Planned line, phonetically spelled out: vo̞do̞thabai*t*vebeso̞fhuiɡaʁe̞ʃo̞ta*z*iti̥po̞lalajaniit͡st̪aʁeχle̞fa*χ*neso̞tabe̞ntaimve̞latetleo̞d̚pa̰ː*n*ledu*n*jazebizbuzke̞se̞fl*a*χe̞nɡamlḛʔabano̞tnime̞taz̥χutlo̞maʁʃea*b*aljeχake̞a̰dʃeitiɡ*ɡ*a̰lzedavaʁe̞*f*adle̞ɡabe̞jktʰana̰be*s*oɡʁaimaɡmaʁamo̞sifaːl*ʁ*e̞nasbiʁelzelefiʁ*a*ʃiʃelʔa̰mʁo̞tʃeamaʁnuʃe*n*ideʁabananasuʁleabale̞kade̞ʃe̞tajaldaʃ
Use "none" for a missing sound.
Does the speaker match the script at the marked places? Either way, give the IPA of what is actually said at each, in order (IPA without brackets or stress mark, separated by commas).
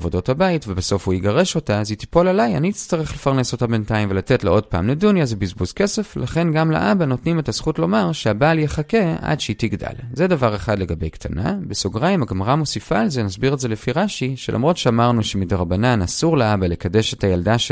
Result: t, z, ʁ, m, n, a, b, d, χ, s, z, a, m